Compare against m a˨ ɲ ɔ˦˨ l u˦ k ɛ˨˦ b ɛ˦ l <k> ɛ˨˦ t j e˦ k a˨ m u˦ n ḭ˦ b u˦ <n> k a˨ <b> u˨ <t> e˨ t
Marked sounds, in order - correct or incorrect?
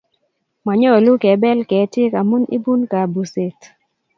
correct, correct, correct, incorrect

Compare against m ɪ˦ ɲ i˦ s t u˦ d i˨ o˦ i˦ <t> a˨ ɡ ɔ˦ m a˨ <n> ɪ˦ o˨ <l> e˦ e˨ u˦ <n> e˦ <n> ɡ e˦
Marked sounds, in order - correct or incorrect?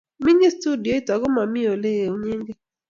correct, incorrect, correct, incorrect, incorrect

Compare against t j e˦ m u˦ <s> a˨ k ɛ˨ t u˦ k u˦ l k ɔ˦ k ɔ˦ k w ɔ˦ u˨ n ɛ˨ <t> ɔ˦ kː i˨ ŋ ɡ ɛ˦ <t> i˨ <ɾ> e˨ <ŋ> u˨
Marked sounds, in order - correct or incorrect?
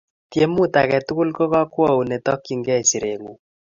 incorrect, correct, incorrect, correct, correct

